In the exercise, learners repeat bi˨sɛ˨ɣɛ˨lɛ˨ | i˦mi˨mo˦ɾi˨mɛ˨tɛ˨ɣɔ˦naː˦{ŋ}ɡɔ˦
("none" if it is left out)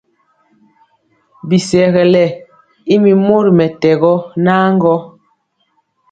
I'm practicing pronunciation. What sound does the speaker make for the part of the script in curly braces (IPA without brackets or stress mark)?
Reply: ŋ